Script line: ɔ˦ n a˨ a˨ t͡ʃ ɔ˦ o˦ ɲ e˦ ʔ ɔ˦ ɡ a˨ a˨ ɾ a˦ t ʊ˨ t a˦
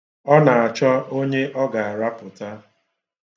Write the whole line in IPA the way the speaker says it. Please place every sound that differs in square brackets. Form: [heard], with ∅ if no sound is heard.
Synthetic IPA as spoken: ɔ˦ n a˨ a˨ t͡ʃ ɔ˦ o˦ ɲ e˦ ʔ ɔ˦ ɡ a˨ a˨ ɾ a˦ [p] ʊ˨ t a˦